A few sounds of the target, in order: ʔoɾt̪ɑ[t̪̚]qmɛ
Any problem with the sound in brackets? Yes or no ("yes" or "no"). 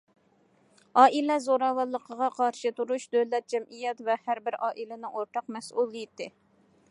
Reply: yes